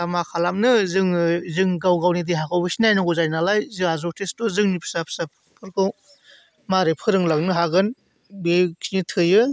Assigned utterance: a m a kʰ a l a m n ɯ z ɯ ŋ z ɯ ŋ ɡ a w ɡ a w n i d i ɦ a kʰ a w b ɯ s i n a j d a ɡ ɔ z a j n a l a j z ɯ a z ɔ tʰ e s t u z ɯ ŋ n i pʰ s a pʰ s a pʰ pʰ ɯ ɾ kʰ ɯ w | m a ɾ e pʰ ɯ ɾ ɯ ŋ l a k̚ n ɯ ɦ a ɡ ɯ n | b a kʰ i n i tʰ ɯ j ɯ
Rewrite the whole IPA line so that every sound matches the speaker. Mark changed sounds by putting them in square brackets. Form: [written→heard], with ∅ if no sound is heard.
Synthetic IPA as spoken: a m a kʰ a l a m n ɯ z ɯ ŋ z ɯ ŋ ɡ a w ɡ a w n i d i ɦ a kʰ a w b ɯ s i n a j [d→n] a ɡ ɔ z a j n a l a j z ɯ a z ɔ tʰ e s t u z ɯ ŋ n i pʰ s a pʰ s a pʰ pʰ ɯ ɾ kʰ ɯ w | m a ɾ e pʰ ɯ ɾ ɯ ŋ l a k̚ n ɯ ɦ a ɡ ɯ n | b [a→e] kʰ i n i tʰ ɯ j ɯ